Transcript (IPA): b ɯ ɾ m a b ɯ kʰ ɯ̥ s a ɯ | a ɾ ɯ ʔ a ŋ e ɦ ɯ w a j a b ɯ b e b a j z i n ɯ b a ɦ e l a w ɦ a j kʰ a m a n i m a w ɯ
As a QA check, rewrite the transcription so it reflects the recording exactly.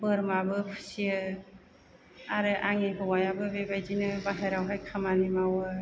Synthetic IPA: b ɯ ɾ m a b ɯ pʰ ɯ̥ s i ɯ | a ɾ ɯ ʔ a ŋ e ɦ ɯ w a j a b ɯ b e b a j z i n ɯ b a ɦ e ɾ a w ɦ a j kʰ a m a n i m a w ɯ